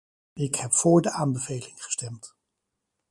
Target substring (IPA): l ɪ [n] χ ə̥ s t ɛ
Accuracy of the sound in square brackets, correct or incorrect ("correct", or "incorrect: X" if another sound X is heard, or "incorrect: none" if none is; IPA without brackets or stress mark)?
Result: incorrect: ŋ